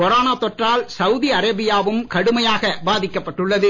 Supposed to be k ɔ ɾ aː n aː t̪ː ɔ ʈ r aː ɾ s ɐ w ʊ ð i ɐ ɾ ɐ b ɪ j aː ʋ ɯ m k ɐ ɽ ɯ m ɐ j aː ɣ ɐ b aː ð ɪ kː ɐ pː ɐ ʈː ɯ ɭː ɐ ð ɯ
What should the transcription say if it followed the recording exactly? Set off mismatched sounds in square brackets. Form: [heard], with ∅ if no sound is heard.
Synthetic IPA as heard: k ɔ ɾ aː n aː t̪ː ɔ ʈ r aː [l] s ɐ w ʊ ð i ɐ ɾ ɐ b ɪ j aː ʋ ɯ m k ɐ ɽ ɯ m ɐ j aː ɣ ɐ b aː ð ɪ kː ɐ pː ɐ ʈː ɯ ɭː ɐ ð ɯ